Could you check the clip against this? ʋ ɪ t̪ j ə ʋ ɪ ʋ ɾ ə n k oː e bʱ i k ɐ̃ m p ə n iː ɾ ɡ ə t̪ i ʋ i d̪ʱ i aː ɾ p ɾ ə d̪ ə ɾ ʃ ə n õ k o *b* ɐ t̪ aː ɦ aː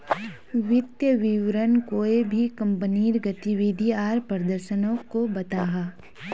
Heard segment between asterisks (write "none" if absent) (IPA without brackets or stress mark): b